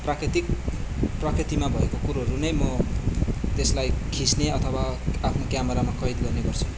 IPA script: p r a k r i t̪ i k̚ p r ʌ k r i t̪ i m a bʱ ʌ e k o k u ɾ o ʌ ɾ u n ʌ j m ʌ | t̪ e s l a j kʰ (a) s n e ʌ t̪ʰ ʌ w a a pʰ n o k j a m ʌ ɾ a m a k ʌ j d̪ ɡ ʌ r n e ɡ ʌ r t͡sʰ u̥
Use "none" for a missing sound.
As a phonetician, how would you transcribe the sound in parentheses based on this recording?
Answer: i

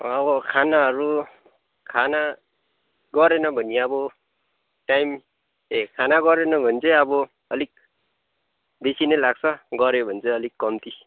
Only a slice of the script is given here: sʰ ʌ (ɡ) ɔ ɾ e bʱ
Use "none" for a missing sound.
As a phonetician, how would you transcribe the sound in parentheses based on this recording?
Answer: ɡ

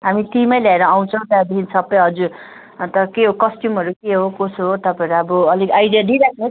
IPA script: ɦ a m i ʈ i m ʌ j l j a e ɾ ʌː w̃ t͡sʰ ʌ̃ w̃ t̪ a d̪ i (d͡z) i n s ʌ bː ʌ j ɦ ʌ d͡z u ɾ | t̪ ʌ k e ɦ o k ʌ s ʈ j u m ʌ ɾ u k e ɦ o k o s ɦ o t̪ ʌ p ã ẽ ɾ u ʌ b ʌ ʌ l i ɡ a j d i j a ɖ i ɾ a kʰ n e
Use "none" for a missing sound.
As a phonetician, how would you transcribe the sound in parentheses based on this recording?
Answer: none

